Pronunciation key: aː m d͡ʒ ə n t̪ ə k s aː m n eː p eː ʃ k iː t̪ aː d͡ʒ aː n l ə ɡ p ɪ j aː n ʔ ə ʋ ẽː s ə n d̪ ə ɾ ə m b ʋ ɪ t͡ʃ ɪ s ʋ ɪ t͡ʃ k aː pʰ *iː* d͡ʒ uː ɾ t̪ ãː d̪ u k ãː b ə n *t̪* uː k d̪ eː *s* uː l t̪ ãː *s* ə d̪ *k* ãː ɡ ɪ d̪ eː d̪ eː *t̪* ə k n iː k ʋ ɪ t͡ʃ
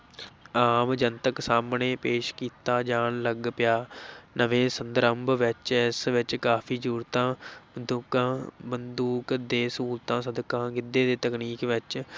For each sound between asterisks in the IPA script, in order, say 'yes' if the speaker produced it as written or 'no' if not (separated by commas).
yes, no, yes, yes, yes, yes